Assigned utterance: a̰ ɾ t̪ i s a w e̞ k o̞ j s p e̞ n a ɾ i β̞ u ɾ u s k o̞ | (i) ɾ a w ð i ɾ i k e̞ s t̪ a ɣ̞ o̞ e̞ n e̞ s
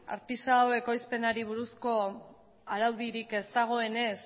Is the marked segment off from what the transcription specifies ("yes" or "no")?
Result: yes